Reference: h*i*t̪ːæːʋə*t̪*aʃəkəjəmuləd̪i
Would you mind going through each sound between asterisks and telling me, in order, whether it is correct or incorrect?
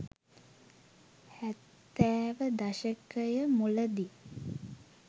incorrect, incorrect

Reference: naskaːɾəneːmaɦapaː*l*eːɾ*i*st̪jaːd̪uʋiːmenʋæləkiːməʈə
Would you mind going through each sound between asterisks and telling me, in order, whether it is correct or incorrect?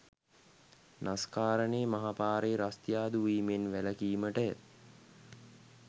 incorrect, incorrect

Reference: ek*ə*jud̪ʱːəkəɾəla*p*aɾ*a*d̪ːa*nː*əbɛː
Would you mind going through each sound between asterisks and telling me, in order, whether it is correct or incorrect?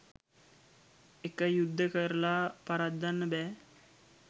correct, correct, correct, correct

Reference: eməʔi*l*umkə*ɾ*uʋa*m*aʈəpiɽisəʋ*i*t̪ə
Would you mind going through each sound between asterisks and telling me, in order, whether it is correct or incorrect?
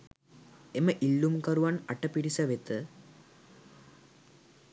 incorrect, correct, incorrect, incorrect

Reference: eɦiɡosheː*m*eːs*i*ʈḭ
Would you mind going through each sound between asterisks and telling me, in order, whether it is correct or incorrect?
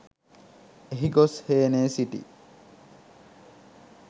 incorrect, correct

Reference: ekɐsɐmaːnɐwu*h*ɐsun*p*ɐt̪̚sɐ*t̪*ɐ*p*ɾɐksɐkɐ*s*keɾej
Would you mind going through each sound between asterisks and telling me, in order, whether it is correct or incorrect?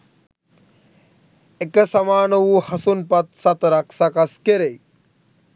correct, correct, correct, incorrect, correct

